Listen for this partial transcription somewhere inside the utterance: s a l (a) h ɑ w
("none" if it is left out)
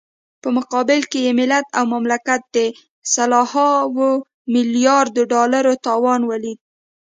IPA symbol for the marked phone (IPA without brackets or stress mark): ɑ